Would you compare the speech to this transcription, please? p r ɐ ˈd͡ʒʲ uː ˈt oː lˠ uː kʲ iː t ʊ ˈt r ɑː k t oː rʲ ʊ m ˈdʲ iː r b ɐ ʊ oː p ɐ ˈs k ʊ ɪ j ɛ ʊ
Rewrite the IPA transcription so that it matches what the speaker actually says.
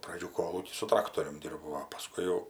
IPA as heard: p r ɐ ˈd͡ʒʲ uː ˈk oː lˠ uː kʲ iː s ʊ ˈt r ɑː k t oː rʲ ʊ m ˈdʲ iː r b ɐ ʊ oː p ɐ ˈs k ʊ ɪ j ɛ ʊ